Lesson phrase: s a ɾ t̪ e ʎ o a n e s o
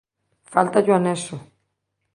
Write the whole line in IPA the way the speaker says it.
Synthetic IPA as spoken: f a l t̪ a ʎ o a n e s o